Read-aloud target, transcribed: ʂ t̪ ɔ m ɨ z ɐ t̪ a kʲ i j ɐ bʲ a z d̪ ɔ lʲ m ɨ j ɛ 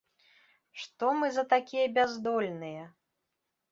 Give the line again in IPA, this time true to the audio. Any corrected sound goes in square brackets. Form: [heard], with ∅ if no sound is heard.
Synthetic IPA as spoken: ʂ t̪ ɔ m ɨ z ɐ t̪ a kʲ i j ɐ bʲ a z d̪ ɔ lʲ [n] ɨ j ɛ